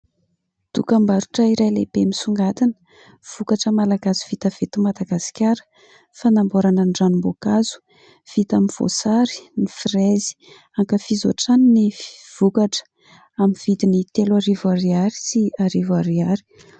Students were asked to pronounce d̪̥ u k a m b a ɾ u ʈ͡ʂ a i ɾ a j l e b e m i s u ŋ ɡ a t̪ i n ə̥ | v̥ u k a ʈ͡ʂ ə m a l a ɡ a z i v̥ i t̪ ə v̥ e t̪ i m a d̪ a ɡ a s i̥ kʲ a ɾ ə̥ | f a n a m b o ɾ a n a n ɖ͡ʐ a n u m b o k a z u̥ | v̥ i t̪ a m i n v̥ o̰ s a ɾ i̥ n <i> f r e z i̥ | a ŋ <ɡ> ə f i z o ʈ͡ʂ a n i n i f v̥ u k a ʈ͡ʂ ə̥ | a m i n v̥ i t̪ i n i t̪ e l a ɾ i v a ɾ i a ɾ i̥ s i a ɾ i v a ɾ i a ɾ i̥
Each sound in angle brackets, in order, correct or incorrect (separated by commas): correct, incorrect